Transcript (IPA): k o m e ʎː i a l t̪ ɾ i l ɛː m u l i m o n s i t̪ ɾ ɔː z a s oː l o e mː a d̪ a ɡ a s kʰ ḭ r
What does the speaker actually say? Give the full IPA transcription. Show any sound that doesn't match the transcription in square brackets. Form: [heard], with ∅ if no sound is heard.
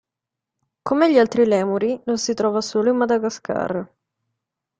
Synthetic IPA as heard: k o m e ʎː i a l t̪ ɾ i l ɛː m u [ɾ] i [n] o n s i t̪ ɾ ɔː [v] a s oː l o [i] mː a d̪ a ɡ a s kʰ [a̰] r